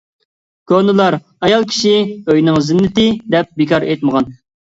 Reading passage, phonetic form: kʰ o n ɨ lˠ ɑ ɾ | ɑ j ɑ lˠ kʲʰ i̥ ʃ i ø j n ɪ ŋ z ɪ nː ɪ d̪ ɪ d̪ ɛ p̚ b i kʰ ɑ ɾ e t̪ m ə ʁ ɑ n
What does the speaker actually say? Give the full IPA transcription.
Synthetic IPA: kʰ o n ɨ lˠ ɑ ɾ | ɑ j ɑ lˠ kʲʰ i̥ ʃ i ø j n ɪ ŋ z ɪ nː ɪ t̪ ɪ d̪ ɛ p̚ b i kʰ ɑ ɾ e t̪ m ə ʁ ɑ n